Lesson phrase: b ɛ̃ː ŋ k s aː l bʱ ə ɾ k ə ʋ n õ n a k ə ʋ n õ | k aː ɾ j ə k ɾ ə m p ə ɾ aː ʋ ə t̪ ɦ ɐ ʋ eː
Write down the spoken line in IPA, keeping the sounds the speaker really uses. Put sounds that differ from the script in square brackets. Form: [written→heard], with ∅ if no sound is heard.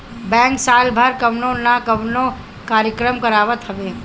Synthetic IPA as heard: b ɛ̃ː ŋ k s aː l bʱ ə ɾ k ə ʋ n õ n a k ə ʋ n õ | k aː ɾ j ə k ɾ ə m [p→k] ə ɾ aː ʋ ə t̪ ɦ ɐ ʋ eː